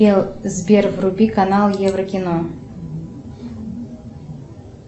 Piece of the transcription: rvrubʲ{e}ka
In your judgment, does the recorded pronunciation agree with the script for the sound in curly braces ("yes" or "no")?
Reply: no